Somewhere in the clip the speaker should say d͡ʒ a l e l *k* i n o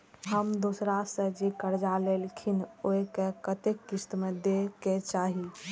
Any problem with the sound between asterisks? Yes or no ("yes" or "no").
yes